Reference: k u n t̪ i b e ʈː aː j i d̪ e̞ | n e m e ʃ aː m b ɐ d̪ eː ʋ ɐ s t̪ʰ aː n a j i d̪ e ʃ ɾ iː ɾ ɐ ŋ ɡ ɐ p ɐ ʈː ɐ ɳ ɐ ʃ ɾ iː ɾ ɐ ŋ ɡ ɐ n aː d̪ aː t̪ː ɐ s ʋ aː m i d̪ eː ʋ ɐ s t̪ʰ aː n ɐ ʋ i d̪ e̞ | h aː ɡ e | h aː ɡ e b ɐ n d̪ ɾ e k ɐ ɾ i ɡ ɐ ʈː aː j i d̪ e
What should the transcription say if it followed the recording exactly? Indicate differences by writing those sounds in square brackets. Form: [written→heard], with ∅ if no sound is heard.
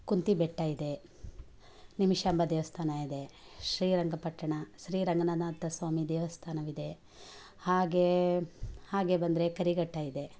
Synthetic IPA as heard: k u n t̪ i b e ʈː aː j i d̪ e̞ | n [e→i] m [e→i] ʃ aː m b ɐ d̪ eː ʋ ɐ s t̪ʰ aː n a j i d̪ e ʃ ɾ iː ɾ ɐ ŋ ɡ ɐ p ɐ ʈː ɐ ɳ ɐ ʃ ɾ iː ɾ ɐ ŋ ɡ ɐ n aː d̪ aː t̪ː ɐ s ʋ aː m i d̪ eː ʋ ɐ s t̪ʰ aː n ɐ ʋ i d̪ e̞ | h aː ɡ e | h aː ɡ e b ɐ n d̪ ɾ e k ɐ ɾ i ɡ ɐ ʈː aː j i d̪ e